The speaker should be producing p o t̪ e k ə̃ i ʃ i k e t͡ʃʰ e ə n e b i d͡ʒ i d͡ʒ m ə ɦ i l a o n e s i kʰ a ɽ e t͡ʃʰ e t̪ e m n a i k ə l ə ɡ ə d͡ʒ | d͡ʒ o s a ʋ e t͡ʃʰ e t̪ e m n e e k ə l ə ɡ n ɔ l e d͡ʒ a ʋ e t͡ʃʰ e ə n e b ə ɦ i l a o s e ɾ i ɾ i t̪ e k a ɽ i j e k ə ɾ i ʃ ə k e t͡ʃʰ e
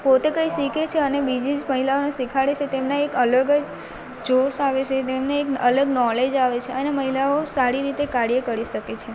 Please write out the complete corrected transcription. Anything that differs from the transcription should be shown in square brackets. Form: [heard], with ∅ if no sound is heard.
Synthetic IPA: p o t̪ e k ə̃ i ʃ i k e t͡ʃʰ e ə n e b i d͡ʒ i d͡ʒ m ə ɦ i l a o n e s i kʰ a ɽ e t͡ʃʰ e t̪ e m n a [e] k ə l ə ɡ ə d͡ʒ | d͡ʒ o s a ʋ e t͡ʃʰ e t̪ e m n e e k ə l ə ɡ n ɔ l e d͡ʒ a ʋ e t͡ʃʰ e ə n e [m] ə ɦ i l a o s [a] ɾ i ɾ i t̪ e k a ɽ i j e k ə ɾ i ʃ ə k e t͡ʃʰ e